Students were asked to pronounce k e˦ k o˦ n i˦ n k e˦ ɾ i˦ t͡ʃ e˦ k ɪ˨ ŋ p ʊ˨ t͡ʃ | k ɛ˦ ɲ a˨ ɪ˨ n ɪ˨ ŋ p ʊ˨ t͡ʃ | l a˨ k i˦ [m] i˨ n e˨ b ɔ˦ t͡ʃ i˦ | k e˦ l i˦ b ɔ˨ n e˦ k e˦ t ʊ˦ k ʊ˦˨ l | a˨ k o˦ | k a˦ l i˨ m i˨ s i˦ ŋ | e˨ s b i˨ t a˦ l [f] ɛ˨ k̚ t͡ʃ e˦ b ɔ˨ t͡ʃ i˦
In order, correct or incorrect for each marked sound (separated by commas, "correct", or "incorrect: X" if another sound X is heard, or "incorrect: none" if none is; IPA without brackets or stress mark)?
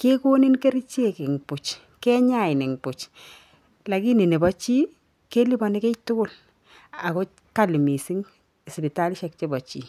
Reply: incorrect: n, incorrect: ʃ